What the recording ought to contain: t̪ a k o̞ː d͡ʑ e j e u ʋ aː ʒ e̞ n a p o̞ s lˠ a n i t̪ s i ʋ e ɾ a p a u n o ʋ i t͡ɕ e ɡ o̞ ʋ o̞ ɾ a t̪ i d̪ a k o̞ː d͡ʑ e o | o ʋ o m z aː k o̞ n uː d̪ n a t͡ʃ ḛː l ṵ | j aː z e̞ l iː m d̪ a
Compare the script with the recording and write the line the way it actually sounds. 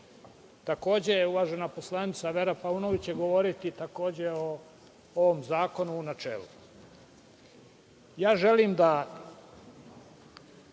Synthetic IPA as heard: t̪ a k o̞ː d͡ʑ e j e u ʋ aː ʒ e̞ n a p o̞ s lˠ a n i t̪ s a ʋ e ɾ a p a u n o ʋ i t͡ɕ e ɡ o̞ ʋ o̞ ɾ i t̪ i t̪ a k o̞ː d͡ʑ e o | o ʋ o m z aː k o̞ n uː n a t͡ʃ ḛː l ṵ | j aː ʒ e̞ l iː m d̪ a